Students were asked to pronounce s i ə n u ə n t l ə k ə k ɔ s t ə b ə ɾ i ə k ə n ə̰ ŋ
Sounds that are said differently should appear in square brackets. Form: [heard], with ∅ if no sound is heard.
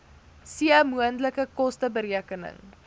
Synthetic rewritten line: s i ə [m] u ə n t l ə k ə k ɔ s t ə b ə ɾ i ə k ə n ə̰ ŋ